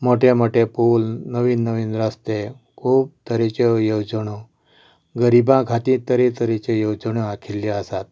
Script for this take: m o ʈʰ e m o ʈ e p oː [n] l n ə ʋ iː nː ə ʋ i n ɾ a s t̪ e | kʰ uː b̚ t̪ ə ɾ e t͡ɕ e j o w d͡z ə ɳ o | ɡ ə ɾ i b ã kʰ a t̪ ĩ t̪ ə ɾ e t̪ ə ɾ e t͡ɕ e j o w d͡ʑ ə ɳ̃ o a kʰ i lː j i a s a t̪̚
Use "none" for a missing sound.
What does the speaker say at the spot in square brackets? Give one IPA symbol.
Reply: none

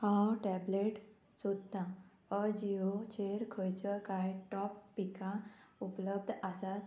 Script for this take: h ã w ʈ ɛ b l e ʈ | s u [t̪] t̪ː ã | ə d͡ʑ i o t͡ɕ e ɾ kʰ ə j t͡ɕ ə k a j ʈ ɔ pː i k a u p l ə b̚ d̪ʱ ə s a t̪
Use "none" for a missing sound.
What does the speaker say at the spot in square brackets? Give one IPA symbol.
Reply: d̪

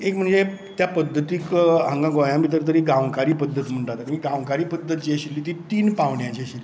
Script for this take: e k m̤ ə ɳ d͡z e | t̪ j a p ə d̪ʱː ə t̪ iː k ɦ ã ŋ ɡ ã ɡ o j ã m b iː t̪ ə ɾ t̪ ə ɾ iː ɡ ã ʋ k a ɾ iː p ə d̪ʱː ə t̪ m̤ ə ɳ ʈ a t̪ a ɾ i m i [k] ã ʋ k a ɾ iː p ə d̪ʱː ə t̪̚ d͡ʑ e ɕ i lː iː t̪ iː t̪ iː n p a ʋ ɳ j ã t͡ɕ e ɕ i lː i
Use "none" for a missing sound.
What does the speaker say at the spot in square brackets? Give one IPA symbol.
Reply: ɡ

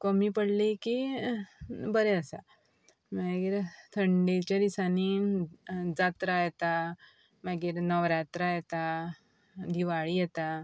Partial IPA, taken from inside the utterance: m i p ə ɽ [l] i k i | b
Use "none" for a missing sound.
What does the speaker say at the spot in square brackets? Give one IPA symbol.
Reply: l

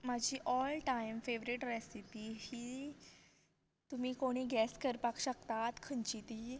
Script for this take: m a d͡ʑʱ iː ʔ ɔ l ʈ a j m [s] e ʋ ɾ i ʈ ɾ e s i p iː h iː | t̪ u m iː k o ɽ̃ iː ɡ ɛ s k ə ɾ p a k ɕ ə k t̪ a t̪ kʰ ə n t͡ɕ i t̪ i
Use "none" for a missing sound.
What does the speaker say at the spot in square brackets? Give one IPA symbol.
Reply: f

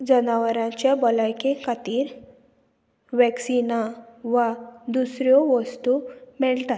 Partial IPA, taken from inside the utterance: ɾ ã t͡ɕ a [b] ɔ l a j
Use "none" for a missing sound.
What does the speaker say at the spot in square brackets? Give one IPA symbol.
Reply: b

